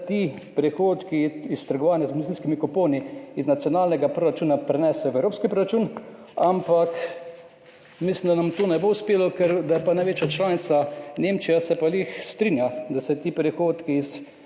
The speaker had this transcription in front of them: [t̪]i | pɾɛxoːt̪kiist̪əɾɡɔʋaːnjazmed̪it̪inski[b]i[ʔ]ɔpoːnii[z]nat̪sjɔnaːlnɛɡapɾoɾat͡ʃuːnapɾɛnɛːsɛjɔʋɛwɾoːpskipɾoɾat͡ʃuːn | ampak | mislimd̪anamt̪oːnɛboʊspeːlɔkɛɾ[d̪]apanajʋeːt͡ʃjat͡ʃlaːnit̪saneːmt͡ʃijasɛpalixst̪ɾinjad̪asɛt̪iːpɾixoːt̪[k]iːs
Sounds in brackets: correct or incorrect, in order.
correct, incorrect: m, incorrect: k, correct, correct, correct

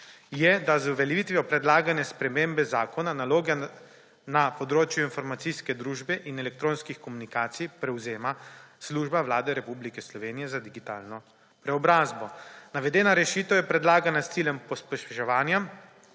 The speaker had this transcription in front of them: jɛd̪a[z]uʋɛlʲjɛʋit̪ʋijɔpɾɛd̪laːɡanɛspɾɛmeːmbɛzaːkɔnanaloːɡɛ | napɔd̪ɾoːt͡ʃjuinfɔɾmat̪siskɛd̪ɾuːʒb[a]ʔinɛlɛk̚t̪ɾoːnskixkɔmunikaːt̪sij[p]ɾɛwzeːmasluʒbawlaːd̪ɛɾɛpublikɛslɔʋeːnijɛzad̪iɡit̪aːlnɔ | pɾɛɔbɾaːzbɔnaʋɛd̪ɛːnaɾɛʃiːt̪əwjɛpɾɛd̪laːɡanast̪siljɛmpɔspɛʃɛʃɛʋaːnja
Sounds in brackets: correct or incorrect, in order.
correct, incorrect: ɛ, correct

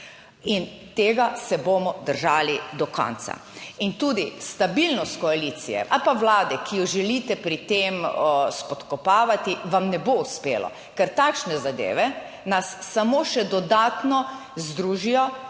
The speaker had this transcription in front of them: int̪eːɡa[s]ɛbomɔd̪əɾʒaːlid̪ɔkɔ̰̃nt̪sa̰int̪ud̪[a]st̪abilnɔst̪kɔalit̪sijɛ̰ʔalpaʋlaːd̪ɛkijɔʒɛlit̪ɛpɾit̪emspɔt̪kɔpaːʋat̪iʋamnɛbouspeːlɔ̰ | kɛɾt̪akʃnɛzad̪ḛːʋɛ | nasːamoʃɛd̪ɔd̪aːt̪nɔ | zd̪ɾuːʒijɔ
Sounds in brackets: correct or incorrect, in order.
correct, incorrect: i

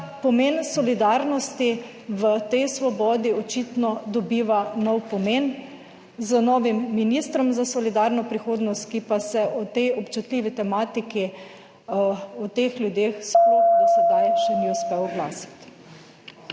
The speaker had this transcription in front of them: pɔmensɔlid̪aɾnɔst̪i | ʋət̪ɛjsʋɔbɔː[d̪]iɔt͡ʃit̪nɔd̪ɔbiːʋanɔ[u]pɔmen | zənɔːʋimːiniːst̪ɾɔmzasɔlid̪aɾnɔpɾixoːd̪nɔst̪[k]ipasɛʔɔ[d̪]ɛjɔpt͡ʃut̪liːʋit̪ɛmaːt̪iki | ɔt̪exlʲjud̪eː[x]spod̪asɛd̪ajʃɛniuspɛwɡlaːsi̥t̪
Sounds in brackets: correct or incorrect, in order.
correct, incorrect: w, correct, incorrect: t̪, correct

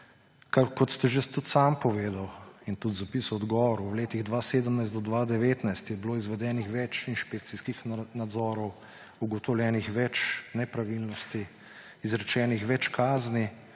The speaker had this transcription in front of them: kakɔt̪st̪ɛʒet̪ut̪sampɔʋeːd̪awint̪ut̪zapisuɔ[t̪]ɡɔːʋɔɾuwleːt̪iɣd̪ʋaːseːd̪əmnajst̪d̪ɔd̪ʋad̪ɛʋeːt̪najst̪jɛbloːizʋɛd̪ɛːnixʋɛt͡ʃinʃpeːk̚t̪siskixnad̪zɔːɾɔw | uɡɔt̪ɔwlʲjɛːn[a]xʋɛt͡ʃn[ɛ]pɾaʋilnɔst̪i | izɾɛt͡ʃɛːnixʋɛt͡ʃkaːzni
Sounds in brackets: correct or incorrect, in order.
incorrect: d̪, incorrect: i, correct

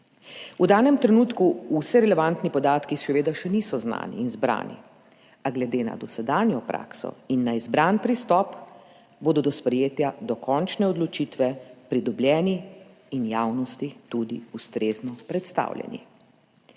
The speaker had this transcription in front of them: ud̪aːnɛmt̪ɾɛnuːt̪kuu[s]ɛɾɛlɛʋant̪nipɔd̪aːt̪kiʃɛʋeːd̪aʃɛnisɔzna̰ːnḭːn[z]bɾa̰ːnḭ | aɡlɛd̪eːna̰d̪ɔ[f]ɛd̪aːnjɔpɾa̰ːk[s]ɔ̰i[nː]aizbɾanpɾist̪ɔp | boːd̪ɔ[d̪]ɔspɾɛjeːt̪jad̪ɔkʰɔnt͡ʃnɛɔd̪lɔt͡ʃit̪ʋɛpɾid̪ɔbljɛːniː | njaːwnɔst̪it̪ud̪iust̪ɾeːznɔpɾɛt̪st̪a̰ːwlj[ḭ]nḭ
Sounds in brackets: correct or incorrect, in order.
correct, correct, incorrect: s, correct, correct, correct, incorrect: ɛ̰

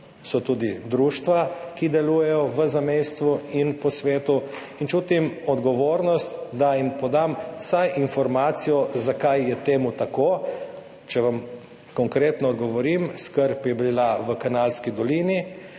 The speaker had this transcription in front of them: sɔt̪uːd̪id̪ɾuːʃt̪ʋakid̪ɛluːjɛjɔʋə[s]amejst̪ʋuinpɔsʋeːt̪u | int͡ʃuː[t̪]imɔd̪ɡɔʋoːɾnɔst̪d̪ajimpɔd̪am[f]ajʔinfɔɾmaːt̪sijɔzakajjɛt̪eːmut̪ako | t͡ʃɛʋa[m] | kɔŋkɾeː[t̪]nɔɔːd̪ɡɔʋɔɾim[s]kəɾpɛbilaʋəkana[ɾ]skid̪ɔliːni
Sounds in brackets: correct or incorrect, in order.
incorrect: z, correct, incorrect: s, correct, correct, correct, incorrect: l

